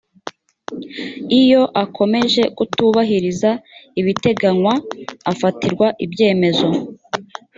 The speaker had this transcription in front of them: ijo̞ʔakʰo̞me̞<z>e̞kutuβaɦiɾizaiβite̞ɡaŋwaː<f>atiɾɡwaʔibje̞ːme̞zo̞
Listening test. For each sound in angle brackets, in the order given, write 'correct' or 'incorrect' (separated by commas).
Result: incorrect, correct